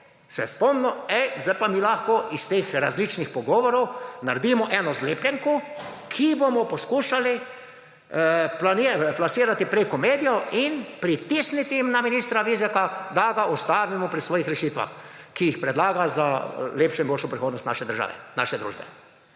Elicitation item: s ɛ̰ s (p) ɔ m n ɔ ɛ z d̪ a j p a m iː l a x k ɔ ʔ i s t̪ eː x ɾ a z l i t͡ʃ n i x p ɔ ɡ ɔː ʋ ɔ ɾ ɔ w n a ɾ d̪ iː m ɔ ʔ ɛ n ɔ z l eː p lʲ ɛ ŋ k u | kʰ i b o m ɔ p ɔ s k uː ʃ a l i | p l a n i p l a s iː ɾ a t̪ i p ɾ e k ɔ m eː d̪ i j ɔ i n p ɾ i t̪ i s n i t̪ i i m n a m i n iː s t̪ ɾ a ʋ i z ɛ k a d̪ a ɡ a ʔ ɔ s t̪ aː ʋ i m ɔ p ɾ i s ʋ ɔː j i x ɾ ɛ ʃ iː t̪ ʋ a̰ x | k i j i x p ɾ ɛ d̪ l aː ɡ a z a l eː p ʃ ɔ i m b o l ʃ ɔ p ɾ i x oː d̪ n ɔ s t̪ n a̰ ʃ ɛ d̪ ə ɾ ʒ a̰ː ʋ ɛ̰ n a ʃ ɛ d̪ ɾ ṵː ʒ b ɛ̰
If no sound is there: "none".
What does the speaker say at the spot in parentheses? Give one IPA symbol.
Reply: p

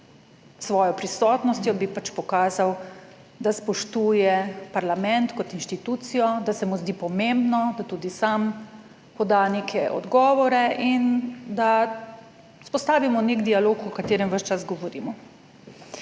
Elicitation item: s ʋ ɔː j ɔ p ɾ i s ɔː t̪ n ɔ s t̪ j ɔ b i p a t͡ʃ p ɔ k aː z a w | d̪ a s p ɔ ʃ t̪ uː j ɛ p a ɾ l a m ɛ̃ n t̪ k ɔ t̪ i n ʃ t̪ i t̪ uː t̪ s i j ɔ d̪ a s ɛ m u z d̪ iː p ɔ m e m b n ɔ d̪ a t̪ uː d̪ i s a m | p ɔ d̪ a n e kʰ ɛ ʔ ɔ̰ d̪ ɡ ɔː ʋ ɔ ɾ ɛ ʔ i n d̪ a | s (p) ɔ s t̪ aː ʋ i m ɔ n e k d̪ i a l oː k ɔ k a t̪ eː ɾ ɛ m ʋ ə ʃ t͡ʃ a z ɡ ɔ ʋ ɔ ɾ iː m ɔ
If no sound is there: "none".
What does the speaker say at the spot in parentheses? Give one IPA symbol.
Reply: p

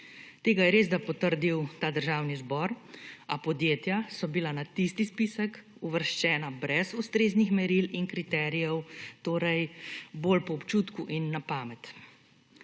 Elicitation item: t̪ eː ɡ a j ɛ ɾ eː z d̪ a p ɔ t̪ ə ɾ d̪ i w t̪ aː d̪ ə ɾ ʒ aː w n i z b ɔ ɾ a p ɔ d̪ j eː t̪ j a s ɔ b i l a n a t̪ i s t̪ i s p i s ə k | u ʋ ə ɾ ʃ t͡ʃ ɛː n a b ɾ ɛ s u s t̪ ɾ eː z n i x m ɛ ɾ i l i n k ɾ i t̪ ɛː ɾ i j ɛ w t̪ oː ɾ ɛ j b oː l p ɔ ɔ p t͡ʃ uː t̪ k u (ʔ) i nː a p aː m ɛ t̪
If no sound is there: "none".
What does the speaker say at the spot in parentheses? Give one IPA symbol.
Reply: ʔ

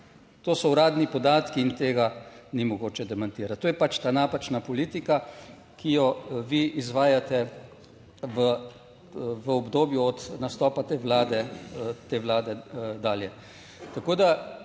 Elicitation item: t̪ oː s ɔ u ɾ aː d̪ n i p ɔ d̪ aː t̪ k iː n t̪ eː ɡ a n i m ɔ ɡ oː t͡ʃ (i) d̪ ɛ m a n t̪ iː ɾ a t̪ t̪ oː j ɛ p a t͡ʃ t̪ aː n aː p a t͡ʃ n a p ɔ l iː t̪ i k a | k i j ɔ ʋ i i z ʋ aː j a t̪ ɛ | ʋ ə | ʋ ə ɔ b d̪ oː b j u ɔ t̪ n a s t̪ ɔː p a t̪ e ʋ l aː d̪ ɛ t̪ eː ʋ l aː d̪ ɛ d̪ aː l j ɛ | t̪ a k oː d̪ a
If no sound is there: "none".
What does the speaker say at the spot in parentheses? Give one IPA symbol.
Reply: ɛ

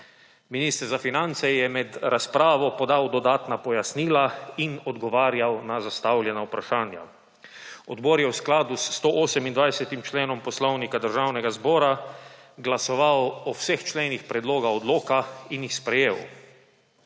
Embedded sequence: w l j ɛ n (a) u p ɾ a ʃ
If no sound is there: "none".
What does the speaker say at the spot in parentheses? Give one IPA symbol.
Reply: a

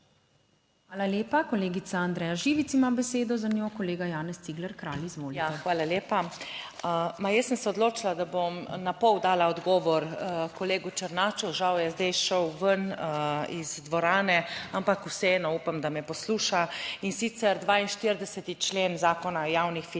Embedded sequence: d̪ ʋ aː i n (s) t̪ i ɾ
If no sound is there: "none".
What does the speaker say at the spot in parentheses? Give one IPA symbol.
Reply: ʃ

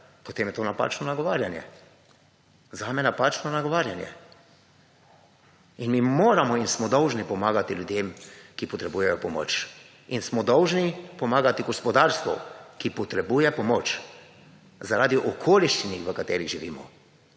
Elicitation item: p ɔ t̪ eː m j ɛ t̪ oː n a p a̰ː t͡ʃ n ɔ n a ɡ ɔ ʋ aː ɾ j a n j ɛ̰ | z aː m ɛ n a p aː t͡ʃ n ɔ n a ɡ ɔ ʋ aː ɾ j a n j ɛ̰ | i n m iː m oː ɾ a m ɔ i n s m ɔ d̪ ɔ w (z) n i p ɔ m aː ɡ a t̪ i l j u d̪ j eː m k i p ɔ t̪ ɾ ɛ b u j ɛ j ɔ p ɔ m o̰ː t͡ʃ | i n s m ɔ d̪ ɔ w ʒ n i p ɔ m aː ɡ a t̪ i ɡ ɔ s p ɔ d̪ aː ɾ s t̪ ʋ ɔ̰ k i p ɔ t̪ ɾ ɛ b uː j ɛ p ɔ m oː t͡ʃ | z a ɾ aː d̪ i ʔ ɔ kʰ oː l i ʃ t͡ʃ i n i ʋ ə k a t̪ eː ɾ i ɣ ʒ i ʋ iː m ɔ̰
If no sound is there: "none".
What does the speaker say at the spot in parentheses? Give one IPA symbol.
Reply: ʒ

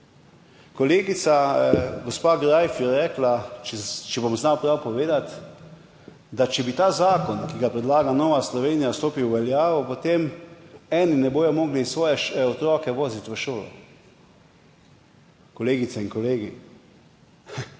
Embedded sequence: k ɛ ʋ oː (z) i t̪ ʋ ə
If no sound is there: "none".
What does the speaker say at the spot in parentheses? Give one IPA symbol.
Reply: z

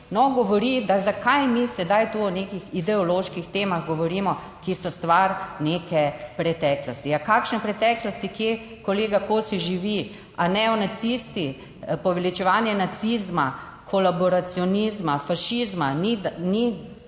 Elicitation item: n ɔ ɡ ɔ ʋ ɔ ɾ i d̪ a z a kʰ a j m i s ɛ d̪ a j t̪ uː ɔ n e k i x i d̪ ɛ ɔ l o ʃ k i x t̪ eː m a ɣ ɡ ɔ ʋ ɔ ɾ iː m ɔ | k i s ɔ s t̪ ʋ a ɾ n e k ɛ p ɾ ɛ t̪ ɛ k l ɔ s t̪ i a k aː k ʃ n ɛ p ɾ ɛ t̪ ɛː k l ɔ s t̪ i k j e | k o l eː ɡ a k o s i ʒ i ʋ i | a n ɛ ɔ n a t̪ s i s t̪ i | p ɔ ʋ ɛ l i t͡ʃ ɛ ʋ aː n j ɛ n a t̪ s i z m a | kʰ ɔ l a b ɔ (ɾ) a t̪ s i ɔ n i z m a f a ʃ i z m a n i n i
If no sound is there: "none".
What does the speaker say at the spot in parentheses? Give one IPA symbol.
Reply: ɾ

